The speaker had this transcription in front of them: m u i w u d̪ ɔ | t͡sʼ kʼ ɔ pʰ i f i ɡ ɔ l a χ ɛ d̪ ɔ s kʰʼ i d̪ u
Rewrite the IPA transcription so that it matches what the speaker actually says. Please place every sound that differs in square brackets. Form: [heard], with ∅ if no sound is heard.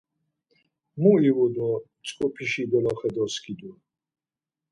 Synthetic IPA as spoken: m u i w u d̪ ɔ | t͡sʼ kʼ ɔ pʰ i [ʃ] i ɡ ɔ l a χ ɛ d̪ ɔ s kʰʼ i d̪ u